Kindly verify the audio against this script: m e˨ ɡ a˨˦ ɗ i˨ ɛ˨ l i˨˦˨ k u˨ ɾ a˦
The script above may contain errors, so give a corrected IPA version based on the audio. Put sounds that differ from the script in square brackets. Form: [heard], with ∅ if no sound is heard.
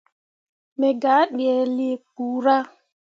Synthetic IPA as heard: m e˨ ɡ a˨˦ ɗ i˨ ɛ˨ l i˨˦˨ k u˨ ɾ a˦